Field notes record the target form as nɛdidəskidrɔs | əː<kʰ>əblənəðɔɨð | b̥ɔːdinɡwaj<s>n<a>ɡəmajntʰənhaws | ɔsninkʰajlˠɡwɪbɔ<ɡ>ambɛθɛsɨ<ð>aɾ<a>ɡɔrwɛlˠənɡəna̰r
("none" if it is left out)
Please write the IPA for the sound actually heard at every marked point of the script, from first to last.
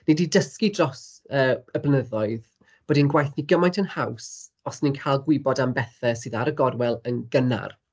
none, θ, i, d, ð, ə

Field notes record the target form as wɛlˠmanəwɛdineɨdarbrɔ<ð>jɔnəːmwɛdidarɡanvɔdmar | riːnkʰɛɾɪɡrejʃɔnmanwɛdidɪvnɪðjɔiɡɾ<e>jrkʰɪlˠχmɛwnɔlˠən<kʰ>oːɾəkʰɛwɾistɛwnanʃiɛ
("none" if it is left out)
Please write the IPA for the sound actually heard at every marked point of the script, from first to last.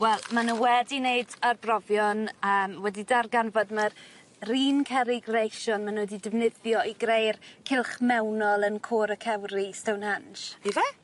v, e, kʰ

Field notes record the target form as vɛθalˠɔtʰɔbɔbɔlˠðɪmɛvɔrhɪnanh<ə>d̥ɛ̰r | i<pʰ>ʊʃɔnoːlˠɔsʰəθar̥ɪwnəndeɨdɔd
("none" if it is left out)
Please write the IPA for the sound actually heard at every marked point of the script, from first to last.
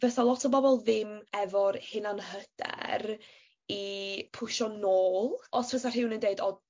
ə, pʰ

